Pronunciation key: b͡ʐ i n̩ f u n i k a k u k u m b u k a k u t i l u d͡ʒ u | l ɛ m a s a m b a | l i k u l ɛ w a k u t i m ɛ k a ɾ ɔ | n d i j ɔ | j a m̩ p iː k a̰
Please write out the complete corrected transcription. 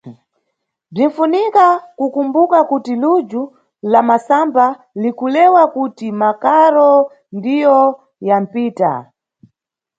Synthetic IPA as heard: b͡ʐ i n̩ f u n i k a k u k u m b u k a k u t i l u d͡ʒ u | l a m a s a m b a | l i k u l ɛ w a k u t i m a k a ɾ ɔ | n d i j ɔ | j a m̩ p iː t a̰